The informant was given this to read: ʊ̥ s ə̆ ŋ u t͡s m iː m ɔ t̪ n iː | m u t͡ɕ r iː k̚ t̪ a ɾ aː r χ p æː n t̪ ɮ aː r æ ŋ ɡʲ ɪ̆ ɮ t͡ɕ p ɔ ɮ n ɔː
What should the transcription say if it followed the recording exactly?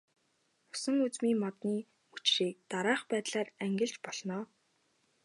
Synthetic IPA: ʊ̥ s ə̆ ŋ u t͡s m iː m ɔ t̪ n iː | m u t͡ɕ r iː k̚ t̪ a ɾ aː χ p æː t̪ ɮ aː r æ ŋ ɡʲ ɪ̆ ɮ t͡ɕ p ɔ ɮ n ɔː